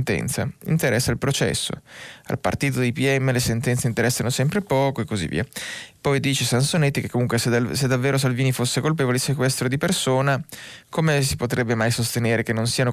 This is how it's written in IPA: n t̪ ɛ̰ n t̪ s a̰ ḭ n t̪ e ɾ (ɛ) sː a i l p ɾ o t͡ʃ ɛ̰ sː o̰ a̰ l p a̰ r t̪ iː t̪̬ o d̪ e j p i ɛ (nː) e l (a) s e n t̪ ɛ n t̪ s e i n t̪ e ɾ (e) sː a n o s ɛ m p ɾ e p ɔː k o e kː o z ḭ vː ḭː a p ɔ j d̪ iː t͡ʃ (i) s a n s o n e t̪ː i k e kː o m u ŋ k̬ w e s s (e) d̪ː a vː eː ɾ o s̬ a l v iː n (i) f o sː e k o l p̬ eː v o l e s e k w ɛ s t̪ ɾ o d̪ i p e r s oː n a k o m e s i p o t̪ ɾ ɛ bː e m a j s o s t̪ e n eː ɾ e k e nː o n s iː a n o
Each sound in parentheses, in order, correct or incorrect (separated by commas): correct, incorrect, incorrect, incorrect, incorrect, correct, correct